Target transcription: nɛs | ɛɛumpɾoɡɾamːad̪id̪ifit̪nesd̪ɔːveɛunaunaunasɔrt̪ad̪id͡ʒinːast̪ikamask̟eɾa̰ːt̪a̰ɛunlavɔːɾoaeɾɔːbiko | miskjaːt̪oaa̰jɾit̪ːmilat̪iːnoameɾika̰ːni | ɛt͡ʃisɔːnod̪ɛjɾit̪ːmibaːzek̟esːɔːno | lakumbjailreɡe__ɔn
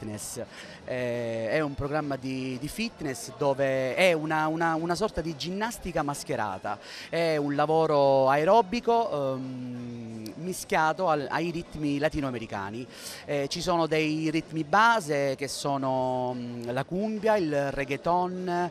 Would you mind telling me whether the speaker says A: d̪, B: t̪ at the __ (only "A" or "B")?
B